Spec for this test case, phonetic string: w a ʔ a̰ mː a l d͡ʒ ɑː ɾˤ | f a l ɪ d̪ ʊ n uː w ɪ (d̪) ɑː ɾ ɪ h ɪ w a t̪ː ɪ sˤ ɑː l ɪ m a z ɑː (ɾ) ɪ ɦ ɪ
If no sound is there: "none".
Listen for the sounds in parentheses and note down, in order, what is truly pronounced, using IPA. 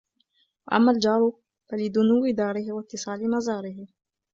d̪, ɾ

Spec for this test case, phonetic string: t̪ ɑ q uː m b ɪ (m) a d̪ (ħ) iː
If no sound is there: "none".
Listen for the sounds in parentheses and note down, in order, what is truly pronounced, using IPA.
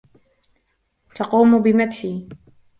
m, ħ

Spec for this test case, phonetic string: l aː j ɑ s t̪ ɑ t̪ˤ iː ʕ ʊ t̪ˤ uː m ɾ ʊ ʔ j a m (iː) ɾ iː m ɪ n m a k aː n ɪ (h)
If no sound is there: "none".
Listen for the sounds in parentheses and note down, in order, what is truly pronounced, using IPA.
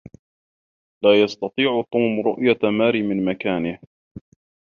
aː, h

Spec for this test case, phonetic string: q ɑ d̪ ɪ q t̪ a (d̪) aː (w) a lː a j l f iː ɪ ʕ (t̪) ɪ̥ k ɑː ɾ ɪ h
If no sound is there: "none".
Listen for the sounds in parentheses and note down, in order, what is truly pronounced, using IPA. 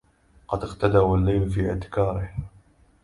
d̪, w, t̪

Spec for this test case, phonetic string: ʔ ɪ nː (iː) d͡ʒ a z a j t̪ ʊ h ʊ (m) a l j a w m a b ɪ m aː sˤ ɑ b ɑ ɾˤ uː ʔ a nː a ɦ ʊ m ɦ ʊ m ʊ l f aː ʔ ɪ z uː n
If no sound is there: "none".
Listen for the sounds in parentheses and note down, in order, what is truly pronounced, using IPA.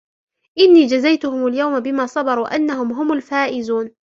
iː, m

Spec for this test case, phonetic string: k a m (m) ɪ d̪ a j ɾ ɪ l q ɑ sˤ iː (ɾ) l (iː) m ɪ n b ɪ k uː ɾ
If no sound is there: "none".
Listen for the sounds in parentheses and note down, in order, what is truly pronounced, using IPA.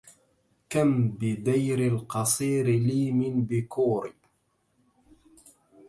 b, ɾ, iː

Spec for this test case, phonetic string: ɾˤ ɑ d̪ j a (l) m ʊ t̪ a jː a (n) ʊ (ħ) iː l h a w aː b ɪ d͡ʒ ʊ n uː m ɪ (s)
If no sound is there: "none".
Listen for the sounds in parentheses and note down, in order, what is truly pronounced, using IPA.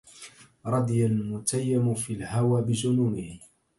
l, m, f, h

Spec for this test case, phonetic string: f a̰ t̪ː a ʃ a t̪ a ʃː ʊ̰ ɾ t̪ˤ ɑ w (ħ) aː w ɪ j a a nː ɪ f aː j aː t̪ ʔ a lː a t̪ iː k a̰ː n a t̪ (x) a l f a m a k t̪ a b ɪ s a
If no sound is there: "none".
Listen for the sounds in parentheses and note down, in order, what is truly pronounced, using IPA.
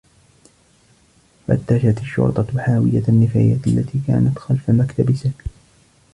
ħ, x

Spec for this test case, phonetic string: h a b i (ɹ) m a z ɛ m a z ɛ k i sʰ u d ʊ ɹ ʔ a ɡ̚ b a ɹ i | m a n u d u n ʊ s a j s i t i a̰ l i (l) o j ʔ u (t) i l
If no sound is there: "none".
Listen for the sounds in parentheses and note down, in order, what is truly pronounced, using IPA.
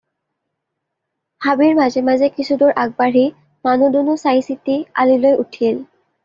ɹ, l, tʰ

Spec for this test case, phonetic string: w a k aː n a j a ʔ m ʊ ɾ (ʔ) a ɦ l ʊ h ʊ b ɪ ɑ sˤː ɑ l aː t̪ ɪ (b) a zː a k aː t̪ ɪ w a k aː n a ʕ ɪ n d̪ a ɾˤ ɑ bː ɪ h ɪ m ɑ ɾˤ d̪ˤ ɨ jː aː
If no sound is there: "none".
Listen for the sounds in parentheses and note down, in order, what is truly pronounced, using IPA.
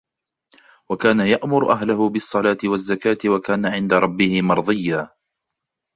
ʔ, w

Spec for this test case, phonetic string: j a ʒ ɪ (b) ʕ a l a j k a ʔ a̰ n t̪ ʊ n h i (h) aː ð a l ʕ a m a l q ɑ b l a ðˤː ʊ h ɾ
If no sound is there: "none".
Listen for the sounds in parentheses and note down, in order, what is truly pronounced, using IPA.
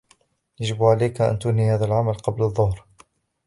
b, h

